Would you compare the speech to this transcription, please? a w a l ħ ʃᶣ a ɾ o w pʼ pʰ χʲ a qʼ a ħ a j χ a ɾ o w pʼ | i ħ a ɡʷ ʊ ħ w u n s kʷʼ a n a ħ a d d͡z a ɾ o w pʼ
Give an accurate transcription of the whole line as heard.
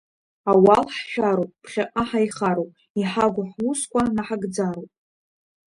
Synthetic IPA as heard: a w a l ħ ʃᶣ a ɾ o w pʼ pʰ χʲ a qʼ a ħ a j χ a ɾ o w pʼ | i ħ a ɡʷ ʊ ħ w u s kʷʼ a n a ħ a ɡ d͡z a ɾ o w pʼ